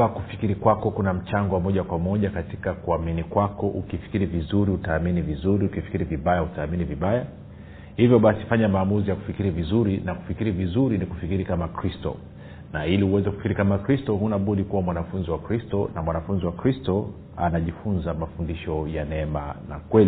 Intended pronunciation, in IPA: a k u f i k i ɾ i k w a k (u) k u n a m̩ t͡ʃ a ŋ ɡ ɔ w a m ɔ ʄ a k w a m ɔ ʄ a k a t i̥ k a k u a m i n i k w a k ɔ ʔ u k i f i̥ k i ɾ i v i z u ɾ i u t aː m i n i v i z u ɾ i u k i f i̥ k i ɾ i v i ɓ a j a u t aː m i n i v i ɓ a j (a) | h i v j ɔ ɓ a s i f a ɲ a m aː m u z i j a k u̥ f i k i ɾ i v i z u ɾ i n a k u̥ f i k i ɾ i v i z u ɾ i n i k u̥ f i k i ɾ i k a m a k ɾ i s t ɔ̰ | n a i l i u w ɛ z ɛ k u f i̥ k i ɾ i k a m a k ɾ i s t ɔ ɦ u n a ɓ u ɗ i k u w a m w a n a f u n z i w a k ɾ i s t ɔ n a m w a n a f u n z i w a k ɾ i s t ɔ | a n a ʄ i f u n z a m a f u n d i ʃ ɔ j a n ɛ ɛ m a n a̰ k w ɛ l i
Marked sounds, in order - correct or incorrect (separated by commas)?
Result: incorrect, correct